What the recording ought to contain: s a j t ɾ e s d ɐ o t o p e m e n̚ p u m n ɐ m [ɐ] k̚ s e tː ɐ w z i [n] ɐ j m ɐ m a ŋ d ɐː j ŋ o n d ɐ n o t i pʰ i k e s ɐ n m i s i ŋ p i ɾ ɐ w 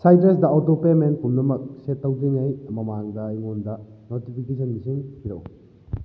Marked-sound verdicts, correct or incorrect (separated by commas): correct, incorrect